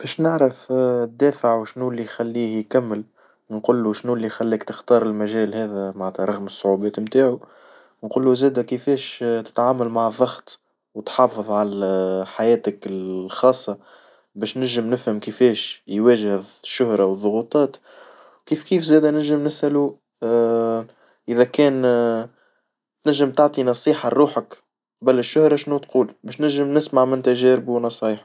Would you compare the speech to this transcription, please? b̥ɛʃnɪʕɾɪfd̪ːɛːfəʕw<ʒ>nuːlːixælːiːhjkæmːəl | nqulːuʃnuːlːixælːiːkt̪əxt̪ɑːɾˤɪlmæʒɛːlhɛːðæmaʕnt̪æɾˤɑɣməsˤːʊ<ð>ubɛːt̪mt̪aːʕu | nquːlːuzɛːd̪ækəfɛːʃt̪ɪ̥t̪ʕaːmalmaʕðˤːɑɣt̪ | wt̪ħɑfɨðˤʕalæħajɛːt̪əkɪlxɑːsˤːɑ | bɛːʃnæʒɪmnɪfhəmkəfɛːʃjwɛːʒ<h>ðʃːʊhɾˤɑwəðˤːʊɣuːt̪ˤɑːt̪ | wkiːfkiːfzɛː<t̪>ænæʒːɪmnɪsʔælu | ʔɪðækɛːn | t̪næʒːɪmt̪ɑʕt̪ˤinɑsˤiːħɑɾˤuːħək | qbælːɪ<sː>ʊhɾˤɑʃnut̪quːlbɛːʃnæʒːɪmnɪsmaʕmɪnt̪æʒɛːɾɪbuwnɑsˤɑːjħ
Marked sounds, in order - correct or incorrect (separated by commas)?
incorrect, incorrect, correct, incorrect, incorrect